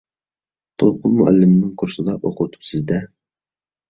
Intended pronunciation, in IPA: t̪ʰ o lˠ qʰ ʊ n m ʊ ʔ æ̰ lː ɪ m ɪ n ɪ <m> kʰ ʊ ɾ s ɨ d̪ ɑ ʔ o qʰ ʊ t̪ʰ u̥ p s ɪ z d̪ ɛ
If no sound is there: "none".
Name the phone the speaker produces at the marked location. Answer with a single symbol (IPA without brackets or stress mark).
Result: ŋ